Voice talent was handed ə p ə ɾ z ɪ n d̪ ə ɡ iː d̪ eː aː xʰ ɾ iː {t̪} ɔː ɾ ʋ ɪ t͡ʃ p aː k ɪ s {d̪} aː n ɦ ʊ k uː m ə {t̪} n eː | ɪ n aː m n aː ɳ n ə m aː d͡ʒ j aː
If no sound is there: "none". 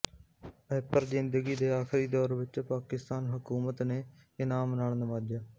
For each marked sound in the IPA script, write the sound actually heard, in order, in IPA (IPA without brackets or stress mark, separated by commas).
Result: d̪, t̪, t̪